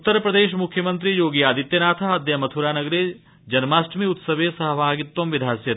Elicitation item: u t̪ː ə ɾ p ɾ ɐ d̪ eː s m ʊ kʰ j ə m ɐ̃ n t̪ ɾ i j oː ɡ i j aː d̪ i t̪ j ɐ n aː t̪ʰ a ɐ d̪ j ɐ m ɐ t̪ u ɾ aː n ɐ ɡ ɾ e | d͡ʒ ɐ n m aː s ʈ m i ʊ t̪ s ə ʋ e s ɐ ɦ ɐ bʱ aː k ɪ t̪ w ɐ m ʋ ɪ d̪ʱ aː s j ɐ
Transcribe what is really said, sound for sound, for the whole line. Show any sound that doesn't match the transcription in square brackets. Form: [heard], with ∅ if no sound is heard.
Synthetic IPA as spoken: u t̪ː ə ɾ p ɾ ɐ d̪ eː [ʃ] m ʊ kʰ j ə m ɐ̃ n t̪ ɾ i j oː ɡ i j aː d̪ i t̪ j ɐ n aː t̪ʰ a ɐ d̪ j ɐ m ɐ [t̪ʰ] u ɾ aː n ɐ ɡ ɾ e | d͡ʒ ɐ n m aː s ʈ m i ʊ t̪ s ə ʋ e s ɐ ɦ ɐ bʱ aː [ɡ] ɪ t̪ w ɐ m ʋ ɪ d̪ʱ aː s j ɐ